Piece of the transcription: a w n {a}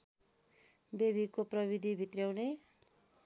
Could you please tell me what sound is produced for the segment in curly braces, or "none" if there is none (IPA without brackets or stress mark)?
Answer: e